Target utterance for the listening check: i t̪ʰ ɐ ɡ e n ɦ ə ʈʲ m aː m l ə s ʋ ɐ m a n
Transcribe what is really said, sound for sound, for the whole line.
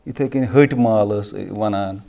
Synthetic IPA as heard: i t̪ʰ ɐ k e n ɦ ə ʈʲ m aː l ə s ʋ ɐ n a n